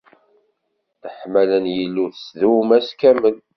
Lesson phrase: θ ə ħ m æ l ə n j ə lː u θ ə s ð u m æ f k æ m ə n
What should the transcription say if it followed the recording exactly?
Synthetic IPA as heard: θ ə ħ m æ l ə n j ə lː u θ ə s ð u m æ s k æ m ə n